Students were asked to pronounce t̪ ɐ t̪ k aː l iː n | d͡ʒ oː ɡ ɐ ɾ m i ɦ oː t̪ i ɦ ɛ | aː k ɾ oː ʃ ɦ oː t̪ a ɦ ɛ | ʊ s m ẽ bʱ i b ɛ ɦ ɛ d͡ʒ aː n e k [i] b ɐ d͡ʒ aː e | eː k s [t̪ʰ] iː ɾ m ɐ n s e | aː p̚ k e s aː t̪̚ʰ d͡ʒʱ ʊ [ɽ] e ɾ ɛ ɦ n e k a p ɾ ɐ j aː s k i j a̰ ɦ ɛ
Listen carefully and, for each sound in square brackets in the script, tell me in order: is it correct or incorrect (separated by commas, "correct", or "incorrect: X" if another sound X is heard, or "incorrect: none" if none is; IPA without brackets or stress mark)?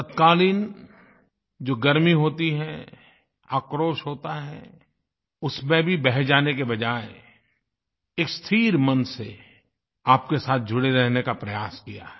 incorrect: e, correct, correct